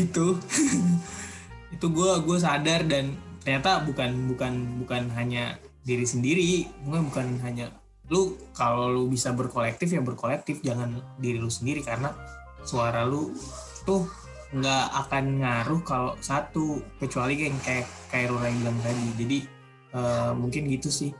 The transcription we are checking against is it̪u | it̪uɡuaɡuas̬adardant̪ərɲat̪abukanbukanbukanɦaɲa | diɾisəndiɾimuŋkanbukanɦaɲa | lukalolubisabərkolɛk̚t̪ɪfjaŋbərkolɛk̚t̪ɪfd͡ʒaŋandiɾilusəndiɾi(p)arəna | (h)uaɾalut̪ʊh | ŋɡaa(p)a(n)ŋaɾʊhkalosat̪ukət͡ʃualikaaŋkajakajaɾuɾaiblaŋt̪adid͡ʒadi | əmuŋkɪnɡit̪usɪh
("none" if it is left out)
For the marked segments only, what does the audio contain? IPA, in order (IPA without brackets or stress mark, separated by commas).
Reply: k, s, k, n